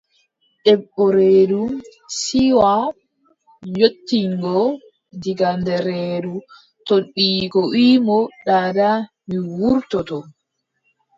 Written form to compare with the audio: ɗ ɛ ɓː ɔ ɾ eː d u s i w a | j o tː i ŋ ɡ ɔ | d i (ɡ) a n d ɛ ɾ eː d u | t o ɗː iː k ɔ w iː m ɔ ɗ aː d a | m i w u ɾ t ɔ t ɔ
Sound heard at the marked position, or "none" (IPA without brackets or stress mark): ɡ